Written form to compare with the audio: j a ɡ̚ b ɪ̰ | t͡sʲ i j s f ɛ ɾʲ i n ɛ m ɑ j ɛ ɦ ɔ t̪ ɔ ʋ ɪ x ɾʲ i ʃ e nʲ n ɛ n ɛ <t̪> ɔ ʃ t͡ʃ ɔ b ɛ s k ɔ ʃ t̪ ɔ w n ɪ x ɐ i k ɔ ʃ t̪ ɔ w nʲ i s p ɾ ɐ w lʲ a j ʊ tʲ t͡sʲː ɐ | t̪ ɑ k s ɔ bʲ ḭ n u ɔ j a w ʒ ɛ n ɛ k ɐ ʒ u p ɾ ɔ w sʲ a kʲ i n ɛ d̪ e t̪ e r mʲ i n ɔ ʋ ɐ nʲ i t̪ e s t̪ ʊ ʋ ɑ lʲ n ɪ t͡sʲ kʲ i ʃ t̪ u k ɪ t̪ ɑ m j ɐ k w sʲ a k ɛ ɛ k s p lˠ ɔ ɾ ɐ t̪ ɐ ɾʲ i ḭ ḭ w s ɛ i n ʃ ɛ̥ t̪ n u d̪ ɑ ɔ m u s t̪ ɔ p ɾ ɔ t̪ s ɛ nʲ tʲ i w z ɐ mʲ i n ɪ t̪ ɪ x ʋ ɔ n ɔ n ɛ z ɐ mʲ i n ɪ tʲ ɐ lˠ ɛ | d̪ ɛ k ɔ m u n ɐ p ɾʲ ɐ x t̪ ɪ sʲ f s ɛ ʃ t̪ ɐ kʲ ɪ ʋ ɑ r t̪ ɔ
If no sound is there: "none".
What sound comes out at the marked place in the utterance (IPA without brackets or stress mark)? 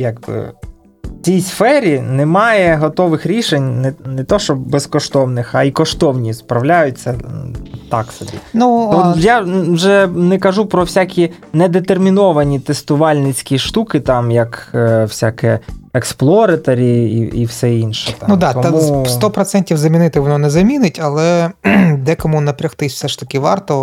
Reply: t̪